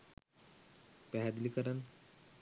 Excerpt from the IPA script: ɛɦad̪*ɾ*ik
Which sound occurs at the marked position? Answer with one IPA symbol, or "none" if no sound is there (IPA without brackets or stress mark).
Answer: l